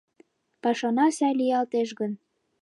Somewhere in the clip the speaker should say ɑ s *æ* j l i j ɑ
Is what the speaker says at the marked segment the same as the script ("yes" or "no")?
yes